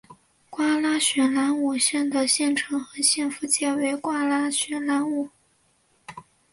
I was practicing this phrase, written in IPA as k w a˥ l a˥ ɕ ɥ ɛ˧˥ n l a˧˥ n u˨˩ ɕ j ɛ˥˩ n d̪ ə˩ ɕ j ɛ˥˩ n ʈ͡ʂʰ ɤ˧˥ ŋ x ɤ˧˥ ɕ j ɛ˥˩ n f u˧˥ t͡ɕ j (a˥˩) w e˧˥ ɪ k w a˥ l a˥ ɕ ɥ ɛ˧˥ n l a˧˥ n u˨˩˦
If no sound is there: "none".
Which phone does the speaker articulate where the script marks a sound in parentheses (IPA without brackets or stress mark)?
ɛ˥˩